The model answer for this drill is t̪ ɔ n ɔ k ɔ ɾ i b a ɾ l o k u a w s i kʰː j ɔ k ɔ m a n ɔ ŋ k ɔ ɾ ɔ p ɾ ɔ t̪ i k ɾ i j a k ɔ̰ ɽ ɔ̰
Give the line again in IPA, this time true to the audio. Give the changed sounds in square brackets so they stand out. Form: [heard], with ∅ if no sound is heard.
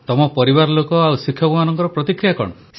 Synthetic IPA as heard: t̪ ɔ [m] ɔ [p] ɔ ɾ i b a ɾ l o k [ɔ] a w s i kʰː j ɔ k [u] m a n ɔ ŋ k ɔ ɾ ɔ p ɾ ɔ t̪ i k ɾ i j a k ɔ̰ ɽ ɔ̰